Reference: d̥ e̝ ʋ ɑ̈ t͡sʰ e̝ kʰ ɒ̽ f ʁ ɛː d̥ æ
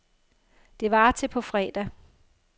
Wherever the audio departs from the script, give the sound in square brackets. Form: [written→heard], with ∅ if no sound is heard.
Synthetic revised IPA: d̥ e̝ ʋ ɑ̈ t͡sʰ e̝ [kʰ→pʰ] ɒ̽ f ʁ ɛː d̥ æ